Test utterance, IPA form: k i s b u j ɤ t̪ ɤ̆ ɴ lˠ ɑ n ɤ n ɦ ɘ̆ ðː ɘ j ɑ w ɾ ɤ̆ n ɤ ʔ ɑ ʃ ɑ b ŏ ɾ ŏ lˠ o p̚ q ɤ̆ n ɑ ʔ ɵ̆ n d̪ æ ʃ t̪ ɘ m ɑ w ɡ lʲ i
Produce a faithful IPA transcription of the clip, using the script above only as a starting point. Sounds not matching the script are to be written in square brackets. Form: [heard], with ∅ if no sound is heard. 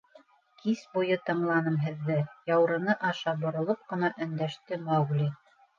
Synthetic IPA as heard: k i s b u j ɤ t̪ ɤ̆ ɴ lˠ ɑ n ɤ [m] ɦ ɘ̆ ðː ɘ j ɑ w ɾ ɤ̆ n ɤ ʔ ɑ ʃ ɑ b ŏ ɾ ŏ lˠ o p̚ q ɤ̆ n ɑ ʔ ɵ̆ n d̪ æ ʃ t̪ ɘ m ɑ w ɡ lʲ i